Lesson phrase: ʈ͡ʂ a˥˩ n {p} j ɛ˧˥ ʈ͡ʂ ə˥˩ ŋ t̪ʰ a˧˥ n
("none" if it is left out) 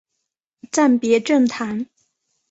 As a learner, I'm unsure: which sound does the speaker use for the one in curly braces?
p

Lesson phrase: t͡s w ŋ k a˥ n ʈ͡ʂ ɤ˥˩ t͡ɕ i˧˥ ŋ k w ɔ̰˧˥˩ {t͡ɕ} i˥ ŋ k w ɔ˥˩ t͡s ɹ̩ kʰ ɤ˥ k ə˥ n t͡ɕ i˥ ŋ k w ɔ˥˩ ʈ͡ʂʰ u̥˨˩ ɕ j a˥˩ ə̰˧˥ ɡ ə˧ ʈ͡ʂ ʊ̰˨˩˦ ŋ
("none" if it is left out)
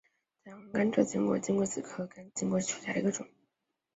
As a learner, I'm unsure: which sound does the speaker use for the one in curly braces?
t͡ɕ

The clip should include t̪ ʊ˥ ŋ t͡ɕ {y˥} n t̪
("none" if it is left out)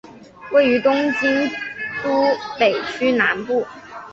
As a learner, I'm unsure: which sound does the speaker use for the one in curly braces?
i˥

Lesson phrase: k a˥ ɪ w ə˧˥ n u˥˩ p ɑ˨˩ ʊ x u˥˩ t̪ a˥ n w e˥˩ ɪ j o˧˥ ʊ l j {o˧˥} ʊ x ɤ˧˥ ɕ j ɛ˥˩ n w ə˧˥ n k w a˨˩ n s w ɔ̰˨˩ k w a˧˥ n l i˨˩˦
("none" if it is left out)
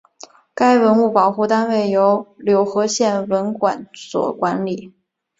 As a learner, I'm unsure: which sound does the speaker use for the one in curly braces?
o˧˥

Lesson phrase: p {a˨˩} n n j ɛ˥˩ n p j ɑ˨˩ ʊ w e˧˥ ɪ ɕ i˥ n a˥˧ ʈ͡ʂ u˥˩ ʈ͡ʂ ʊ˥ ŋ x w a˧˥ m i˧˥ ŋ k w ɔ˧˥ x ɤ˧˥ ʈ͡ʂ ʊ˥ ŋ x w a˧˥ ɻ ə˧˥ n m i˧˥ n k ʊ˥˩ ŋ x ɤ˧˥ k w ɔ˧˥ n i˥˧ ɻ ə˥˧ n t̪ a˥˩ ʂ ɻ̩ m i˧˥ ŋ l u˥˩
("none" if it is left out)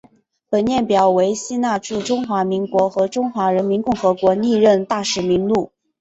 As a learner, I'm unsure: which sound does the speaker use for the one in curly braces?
ə˨˩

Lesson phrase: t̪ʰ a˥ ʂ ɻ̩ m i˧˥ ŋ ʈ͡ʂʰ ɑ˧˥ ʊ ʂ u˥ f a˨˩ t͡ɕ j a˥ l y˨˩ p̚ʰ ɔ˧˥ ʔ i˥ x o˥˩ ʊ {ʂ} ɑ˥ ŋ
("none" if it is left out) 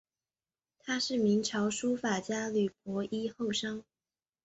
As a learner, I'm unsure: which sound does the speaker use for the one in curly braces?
ʂ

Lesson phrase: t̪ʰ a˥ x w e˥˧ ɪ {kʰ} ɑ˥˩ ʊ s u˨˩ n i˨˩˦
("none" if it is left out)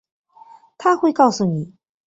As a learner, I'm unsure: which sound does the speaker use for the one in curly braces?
k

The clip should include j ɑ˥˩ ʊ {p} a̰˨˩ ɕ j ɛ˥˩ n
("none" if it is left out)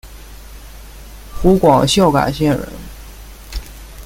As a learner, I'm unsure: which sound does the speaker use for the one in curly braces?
k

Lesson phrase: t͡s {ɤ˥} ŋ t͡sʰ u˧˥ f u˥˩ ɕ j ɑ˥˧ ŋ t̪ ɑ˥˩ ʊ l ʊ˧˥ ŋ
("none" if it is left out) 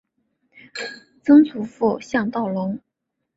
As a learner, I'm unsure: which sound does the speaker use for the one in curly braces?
ɤ˥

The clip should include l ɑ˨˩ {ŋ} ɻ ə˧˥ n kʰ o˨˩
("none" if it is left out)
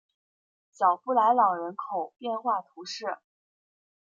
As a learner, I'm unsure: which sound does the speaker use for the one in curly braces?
ŋ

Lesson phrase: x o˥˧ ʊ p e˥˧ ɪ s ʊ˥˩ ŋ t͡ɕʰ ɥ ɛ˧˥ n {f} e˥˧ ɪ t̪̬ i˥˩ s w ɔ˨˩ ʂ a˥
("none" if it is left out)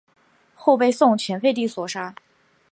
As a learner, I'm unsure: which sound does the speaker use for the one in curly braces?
f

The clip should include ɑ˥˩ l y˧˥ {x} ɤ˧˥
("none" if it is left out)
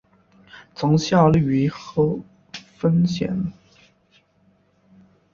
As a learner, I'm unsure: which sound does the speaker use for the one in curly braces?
x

